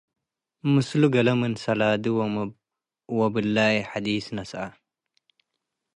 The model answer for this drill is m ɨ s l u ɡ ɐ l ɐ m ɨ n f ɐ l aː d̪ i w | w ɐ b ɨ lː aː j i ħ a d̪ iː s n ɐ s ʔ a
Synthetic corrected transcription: m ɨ s l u ɡ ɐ l ɐ m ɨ n s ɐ l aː d̪ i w | w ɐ b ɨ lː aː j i ħ a d̪ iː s n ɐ s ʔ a